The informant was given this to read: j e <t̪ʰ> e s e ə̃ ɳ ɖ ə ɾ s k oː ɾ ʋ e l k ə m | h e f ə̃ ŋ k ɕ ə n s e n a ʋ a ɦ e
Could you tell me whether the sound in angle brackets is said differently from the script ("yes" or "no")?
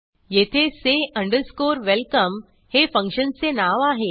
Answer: no